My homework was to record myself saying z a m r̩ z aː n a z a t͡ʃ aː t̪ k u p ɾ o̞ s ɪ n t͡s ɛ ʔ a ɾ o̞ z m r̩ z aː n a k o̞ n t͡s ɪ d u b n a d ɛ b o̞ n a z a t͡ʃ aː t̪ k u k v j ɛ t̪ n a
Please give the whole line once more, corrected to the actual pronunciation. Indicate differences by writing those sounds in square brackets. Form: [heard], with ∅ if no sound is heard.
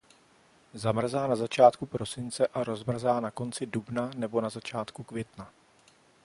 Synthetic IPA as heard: z a m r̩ z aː n a z a t͡ʃ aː t̪ k u p ɾ o̞ s ɪ n t͡s ɛ ʔ a ɾ o̞ z m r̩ z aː n a k o̞ n t͡s ɪ d u b n a [n] ɛ b o̞ n a z a t͡ʃ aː t̪ k u k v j ɛ t̪ n a